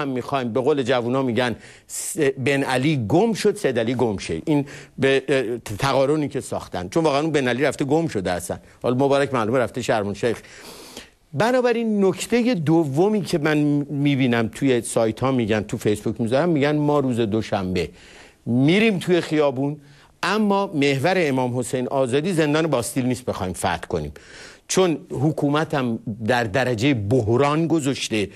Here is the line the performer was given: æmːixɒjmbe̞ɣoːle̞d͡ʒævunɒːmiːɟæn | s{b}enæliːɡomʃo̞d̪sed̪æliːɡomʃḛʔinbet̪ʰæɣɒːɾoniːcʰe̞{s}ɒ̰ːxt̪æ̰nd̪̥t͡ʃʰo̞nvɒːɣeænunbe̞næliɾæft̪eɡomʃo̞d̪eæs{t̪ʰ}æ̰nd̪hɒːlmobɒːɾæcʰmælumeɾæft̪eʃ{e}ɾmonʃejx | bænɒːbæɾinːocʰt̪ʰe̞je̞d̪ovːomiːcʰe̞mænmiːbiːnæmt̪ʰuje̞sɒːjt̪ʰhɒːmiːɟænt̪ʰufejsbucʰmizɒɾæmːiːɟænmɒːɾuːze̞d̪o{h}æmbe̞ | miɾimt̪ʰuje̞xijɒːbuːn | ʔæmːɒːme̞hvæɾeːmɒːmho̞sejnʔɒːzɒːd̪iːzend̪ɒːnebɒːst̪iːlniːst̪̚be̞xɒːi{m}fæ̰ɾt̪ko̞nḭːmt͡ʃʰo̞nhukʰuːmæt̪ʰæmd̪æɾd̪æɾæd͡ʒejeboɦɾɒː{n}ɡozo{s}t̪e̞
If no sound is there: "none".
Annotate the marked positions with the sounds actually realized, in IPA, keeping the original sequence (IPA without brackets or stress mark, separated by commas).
b, s, t̪, æ, ʃ, m, n, ʃ